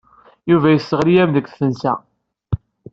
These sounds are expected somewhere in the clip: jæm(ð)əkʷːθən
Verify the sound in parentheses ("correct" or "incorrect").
correct